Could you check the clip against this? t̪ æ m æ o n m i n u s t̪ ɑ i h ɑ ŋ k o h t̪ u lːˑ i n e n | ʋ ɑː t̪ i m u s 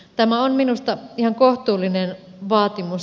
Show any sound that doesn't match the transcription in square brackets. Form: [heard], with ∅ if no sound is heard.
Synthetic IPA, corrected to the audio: t̪ æ m æ o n m i n u s t̪ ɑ i h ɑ ŋ k o h t̪ [uː] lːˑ i n e n | ʋ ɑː t̪ i m u s